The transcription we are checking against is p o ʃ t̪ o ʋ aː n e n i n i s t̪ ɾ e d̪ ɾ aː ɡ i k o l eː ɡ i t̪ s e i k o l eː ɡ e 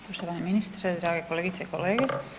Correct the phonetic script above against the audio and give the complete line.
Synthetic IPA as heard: p o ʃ t̪ o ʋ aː n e m i n i s t̪ ɾ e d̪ ɾ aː ɡ e k o l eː ɡ i t̪ s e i k o l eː ɡ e